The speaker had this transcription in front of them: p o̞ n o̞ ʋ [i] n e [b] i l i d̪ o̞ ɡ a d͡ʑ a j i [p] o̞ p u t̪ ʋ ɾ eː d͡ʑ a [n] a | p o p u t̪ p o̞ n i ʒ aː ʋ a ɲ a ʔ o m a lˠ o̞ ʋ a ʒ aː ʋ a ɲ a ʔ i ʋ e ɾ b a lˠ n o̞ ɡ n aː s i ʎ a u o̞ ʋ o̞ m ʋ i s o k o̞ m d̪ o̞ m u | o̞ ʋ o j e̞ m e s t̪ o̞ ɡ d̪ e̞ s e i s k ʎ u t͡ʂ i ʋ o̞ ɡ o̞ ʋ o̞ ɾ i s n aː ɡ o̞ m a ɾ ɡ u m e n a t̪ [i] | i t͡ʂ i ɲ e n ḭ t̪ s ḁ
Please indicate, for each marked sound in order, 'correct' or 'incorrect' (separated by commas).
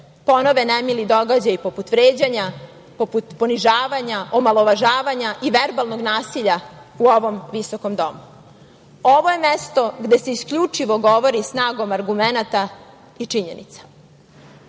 incorrect, incorrect, correct, incorrect, incorrect